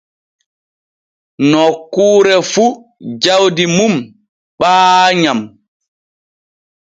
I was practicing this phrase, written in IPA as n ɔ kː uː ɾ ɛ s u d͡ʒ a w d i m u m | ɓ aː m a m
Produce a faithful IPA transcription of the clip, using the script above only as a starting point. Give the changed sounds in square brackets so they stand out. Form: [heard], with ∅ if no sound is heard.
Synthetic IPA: n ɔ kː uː ɾ ɛ [f] u d͡ʒ a w d i m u m | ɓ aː [ɲ] a m